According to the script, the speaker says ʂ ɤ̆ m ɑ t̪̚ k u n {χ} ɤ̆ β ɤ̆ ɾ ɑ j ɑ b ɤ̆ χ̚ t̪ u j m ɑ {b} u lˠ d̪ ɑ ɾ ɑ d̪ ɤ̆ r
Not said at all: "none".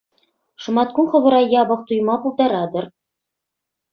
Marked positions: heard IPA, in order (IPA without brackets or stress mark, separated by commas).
χ, p